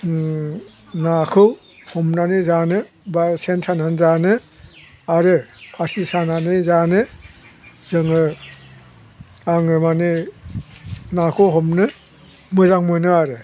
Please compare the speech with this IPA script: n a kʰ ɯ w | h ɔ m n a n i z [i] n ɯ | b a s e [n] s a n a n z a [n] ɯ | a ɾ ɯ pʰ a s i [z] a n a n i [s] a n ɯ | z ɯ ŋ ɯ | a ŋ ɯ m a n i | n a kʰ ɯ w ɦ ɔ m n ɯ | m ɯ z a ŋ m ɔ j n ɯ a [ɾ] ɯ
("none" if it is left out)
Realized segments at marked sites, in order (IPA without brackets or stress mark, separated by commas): a, n, n, s, z, ɾ